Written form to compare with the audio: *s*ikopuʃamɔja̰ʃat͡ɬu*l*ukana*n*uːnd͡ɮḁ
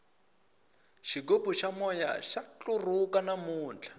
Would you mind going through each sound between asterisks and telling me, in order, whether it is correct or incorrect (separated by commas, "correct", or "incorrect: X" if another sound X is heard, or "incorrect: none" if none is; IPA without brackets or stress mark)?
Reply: incorrect: ʃ, incorrect: r, incorrect: m